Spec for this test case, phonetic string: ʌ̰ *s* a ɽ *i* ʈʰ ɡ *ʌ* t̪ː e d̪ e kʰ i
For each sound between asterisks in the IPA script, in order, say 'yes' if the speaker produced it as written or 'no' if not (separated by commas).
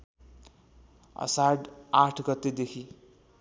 yes, no, yes